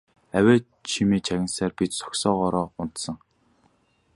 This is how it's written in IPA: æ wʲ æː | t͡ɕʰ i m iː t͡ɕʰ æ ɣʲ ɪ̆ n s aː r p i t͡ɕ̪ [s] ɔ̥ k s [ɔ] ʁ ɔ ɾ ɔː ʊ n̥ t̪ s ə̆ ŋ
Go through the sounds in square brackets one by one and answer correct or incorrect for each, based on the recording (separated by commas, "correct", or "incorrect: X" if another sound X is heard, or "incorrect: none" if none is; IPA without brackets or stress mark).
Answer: correct, incorrect: ɔː